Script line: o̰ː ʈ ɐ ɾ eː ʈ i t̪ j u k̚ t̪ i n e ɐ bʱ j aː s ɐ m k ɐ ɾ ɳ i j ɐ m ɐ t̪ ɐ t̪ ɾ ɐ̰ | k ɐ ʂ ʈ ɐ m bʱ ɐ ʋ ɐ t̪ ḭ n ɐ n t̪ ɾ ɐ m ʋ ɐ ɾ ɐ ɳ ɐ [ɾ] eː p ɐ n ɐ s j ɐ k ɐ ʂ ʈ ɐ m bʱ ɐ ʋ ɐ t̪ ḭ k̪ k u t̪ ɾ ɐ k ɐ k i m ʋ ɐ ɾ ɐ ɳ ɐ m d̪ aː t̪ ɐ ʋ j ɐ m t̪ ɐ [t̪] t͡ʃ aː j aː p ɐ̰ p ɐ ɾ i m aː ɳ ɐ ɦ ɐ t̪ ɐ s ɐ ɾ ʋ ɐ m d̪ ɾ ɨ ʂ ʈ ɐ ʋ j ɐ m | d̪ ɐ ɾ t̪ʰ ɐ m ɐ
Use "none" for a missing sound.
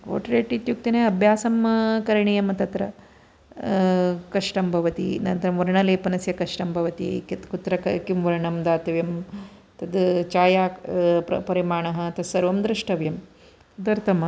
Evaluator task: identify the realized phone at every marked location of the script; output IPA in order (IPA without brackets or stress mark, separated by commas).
l, d̪